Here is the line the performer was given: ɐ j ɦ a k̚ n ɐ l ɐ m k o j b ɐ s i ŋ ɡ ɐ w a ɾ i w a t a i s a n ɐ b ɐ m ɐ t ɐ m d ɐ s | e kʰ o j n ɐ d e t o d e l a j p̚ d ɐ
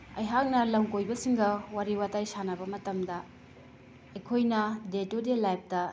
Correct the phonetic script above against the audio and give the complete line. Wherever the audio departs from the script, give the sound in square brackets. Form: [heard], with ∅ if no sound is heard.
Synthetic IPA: ɐ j ɦ a k̚ n ɐ l ɐ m k o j b ɐ s i ŋ ɡ ɐ w a ɾ i w a t a [j] s a n ɐ b ɐ m ɐ t ɐ m d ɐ [∅] | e kʰ o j n ɐ d e t o d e l a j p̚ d ɐ